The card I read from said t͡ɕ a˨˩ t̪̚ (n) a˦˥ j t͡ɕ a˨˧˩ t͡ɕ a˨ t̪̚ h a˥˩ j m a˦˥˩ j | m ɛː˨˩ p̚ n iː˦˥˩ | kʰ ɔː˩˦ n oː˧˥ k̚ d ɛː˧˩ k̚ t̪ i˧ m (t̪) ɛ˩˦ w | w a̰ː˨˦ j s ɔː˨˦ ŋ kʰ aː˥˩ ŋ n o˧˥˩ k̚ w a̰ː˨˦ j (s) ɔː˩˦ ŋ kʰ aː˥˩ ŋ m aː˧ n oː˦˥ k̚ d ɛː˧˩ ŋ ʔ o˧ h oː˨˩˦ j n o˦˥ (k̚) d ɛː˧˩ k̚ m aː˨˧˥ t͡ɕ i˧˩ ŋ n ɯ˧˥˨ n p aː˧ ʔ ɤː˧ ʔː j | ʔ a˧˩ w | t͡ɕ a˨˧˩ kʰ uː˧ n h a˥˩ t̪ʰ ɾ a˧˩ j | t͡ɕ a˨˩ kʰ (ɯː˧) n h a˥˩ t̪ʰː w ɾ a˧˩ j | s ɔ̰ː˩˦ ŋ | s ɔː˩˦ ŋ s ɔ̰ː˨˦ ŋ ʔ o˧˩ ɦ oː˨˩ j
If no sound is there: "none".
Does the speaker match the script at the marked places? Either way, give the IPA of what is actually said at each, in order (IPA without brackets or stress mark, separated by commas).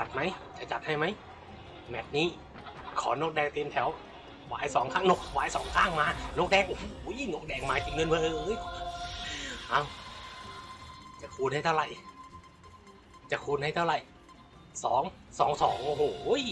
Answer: m, t̪ʰ, s, k̚, uː˧